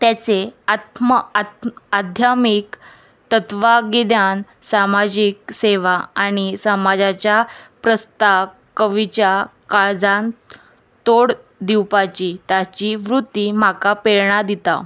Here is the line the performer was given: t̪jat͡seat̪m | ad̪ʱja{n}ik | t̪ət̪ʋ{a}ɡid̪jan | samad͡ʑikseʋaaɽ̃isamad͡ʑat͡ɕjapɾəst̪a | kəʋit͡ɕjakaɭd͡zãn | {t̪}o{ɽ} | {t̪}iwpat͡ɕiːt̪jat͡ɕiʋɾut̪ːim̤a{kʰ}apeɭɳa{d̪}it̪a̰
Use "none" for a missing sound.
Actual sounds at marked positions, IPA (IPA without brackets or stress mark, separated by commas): m, a, t̪, ɽ, d̪, k, d̪